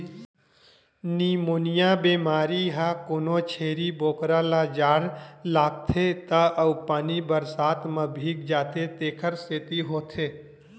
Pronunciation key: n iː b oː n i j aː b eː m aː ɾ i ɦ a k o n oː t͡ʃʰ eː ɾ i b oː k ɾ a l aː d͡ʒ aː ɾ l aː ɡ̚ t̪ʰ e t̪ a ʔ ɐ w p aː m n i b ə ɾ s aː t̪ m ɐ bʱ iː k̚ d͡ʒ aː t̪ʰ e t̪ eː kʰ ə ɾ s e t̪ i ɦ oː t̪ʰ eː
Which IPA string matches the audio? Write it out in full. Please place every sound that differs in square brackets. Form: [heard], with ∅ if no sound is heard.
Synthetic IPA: n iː [m] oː n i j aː b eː m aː ɾ i ɦ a k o n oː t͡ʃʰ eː ɾ i b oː k ɾ a l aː d͡ʒ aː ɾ l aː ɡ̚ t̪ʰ e t̪ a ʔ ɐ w p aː [∅] n i b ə ɾ s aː t̪ m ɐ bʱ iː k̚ d͡ʒ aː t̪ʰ e t̪ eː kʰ ə ɾ s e t̪ i ɦ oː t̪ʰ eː